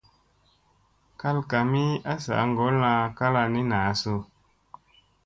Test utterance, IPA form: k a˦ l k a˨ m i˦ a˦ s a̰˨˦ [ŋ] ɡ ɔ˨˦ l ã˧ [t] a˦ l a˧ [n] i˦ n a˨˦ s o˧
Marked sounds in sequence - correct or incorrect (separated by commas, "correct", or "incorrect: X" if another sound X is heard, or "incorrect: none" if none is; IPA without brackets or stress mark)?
correct, incorrect: k, correct